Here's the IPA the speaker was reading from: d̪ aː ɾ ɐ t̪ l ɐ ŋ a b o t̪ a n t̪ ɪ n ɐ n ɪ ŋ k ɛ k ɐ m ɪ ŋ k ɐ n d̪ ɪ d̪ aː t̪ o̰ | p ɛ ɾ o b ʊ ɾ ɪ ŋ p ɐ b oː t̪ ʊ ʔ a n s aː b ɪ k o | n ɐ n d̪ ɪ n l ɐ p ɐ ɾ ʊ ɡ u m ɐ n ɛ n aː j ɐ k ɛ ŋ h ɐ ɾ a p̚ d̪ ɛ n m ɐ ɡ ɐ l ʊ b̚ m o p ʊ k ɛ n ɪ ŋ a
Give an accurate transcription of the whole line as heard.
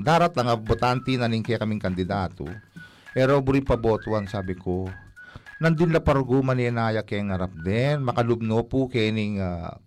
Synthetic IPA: d̪ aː ɾ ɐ t̪ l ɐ ŋ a b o t̪ a n t̪ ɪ n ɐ n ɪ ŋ k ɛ k ɐ m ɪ ŋ k ɐ n d̪ ɪ d̪ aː t̪ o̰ | p ɛ ɾ o b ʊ ɾ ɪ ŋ p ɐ b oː t̪ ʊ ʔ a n s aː b ɪ k o | n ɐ n d̪ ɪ n l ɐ p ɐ ɾ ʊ ɡ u m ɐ n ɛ n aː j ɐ k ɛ ŋ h ɐ ɾ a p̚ d̪ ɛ n m ɐ k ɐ l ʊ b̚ n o p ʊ k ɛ n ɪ ŋ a